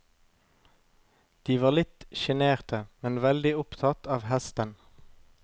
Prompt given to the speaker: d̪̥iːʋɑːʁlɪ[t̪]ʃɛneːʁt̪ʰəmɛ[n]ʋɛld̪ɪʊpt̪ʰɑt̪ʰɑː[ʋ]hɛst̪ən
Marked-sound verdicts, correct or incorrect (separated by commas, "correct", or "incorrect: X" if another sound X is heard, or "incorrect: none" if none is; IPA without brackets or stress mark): correct, correct, correct